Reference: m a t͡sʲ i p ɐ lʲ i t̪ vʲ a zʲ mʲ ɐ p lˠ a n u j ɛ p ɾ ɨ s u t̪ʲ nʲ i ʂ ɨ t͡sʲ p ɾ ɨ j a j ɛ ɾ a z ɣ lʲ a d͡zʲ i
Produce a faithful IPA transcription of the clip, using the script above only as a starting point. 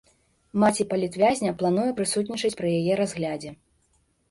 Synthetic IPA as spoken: m a t͡sʲ i p ɐ lʲ i t̪ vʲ a zʲ nʲ ɐ p lˠ a n u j ɛ p ɾ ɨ s u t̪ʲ nʲ i t͡ʂ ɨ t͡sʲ p ɾ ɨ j a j ɛ ɾ a z ɣ lʲ a d͡zʲ ɛ